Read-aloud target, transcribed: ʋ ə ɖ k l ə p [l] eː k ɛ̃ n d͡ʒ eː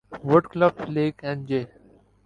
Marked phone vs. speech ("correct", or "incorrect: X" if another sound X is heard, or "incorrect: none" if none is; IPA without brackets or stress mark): correct